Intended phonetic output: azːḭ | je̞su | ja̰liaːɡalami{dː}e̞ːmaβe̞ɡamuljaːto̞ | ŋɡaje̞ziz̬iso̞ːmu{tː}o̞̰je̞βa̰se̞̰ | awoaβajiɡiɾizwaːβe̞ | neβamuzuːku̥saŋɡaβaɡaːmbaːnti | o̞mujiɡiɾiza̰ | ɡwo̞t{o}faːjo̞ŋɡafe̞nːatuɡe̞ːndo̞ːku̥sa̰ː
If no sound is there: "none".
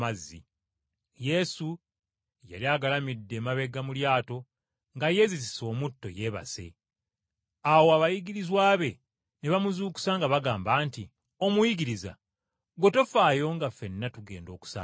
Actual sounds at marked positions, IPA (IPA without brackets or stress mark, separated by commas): dː, tː, o